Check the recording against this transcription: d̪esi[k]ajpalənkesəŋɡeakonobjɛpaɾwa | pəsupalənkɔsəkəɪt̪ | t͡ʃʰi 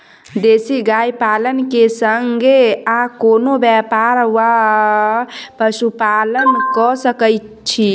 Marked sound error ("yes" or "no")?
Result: yes